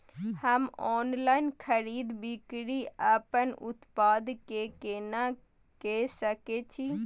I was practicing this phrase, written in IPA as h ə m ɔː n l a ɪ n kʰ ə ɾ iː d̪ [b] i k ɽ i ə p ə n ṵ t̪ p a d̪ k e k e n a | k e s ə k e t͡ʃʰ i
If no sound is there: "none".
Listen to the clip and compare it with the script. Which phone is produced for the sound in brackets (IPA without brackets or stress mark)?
b